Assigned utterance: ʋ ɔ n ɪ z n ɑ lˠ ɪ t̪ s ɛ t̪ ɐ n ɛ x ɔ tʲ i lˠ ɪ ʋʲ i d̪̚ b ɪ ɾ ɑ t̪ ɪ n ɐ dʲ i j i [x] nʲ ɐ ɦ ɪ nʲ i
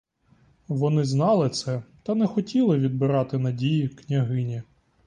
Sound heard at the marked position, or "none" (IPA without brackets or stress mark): k